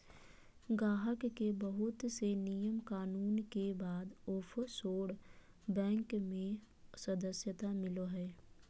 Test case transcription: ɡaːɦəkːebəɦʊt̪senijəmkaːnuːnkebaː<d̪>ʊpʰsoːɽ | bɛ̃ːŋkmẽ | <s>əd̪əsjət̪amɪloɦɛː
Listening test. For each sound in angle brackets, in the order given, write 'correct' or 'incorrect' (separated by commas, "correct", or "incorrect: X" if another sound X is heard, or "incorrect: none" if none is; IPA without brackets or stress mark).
correct, correct